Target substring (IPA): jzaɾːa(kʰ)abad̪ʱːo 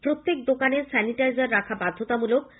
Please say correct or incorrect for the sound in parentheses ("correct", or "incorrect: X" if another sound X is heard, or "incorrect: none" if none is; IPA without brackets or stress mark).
correct